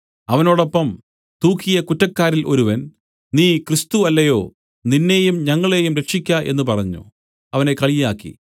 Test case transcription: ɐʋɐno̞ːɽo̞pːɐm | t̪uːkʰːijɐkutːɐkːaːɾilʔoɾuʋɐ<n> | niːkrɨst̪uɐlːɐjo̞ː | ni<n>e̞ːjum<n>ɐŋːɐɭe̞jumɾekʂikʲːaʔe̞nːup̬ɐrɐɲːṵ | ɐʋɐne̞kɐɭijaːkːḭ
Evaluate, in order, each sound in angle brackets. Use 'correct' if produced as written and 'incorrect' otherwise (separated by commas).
correct, incorrect, incorrect